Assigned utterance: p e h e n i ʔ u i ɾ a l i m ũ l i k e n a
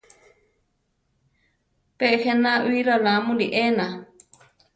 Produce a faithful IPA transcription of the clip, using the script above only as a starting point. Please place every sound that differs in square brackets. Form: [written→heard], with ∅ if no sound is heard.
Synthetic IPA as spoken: p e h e n [i→a] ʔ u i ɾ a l [i→a] m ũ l i [k→ʔ] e n a